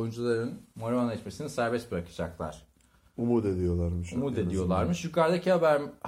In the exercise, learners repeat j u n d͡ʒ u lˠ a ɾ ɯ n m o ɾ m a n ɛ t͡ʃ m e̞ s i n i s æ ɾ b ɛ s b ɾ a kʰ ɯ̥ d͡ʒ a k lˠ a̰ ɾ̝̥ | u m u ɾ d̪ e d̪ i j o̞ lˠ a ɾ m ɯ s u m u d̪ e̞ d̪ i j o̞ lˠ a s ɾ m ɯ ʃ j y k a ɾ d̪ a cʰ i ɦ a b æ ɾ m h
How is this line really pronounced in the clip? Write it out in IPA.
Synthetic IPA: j u n d͡ʒ u lˠ a ɾ ɯ n m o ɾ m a n ɛ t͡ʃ m e̞ s i n i s æ ɾ b ɛ s b ɾ a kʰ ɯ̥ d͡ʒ a k lˠ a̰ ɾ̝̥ | u m u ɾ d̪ e d̪ i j o̞ lˠ a ɾ m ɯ ʃ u m u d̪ e̞ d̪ i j o̞ lˠ a ɾ m ɯ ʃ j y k a ɾ d̪ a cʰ i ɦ a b æ ɾ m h